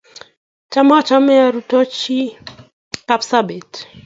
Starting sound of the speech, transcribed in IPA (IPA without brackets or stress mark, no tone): t͡ʃ